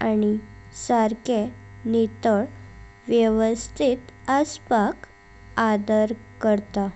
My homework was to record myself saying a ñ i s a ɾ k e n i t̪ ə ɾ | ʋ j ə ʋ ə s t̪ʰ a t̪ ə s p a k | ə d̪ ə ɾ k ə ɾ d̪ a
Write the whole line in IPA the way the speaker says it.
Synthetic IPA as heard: a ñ i s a ɾ k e n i t̪ ə ɭ | ʋ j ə ʋ ə s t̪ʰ i t̪ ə s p a k | a d̪ ə ɾ k ə ɾ t̪ a

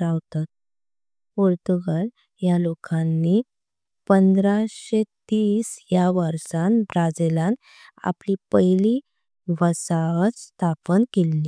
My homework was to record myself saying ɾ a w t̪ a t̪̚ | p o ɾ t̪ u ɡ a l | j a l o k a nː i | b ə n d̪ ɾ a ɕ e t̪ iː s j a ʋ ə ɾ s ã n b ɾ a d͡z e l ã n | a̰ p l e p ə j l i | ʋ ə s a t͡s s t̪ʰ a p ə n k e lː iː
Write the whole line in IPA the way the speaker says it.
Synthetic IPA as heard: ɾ a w t̪ a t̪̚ | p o ɾ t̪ u ɡ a l | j a l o k a nː i | p ə n d̪ ɾ a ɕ e t̪ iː s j a ʋ ə ɾ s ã n b ɾ a d͡z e l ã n | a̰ p l i p ə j l i | ʋ ə s a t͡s s t̪ʰ a p ə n k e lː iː

